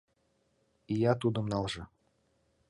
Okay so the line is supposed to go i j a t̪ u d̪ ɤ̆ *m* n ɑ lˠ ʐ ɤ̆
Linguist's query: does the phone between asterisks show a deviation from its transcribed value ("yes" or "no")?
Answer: no